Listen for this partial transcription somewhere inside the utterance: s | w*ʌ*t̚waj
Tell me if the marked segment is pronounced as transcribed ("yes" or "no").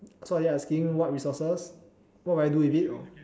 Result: no